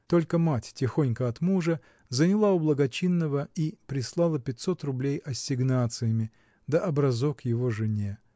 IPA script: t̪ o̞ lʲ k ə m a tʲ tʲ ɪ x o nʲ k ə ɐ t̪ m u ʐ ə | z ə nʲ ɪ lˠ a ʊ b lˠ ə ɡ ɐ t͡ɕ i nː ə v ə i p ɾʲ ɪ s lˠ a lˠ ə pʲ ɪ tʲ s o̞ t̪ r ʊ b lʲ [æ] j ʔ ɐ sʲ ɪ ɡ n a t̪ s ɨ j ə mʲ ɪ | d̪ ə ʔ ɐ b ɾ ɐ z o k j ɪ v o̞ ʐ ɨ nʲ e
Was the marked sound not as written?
yes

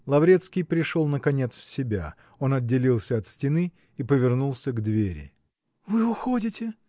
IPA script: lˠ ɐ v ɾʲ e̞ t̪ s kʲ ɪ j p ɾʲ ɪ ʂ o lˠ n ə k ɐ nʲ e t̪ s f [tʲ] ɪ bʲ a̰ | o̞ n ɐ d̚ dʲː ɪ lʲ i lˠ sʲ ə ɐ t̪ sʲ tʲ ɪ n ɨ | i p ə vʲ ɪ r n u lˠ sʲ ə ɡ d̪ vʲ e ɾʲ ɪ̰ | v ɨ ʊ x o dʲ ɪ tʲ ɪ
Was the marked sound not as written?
yes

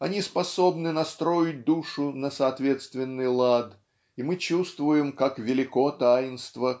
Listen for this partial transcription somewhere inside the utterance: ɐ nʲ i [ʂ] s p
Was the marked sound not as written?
yes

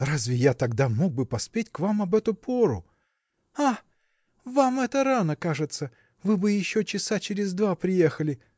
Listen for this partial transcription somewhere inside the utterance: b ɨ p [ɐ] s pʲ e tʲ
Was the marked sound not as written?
no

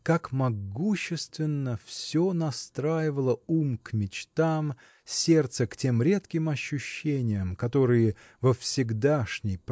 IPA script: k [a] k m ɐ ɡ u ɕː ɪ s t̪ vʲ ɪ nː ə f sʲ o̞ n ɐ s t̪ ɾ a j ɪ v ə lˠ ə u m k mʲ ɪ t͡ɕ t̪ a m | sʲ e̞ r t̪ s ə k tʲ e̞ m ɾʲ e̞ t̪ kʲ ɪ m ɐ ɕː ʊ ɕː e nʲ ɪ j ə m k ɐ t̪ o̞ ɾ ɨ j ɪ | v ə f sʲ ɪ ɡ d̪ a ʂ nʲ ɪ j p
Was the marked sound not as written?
no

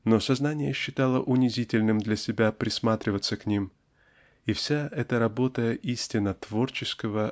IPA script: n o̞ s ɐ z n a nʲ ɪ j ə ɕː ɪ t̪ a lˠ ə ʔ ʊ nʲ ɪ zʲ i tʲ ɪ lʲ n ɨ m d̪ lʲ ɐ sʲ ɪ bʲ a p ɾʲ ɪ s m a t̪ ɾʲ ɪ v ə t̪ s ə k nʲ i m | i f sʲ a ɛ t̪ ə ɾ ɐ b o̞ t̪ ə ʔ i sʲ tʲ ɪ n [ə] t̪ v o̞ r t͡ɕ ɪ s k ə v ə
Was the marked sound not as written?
no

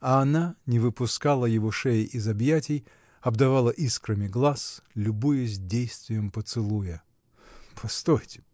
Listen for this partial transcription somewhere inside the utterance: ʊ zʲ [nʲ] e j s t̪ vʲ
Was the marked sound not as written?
yes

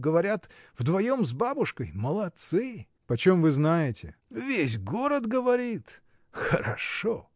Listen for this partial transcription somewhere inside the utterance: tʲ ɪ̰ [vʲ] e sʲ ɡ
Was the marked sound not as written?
no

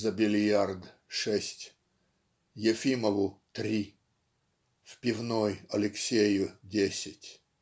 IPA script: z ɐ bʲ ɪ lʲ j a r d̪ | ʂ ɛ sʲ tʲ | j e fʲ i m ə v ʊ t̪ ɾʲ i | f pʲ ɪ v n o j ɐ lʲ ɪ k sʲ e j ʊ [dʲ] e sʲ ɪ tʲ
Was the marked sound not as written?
no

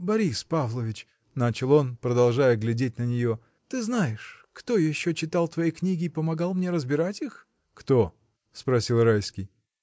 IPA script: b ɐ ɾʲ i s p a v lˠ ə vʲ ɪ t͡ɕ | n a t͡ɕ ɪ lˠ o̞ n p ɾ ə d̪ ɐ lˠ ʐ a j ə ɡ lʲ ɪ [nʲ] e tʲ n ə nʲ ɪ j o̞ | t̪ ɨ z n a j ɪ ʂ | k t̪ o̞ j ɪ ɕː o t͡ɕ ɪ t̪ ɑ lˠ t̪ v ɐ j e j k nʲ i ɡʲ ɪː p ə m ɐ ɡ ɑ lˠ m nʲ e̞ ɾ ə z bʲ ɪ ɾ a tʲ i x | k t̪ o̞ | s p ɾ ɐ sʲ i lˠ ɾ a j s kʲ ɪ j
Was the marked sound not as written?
yes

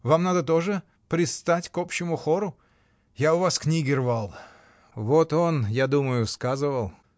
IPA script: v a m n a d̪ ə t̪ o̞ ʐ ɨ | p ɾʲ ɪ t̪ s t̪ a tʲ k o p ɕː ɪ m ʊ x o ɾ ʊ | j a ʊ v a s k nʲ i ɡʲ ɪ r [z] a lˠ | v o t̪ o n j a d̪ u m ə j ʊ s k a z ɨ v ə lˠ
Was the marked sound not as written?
yes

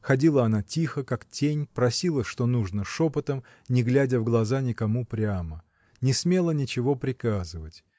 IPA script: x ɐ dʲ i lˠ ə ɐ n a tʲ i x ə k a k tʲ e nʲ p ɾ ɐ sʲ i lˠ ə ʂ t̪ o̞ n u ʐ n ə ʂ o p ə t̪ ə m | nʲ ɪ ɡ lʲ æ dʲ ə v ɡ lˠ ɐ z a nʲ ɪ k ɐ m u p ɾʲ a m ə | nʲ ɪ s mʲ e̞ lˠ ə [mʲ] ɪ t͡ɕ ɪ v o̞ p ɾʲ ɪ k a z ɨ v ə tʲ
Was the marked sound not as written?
yes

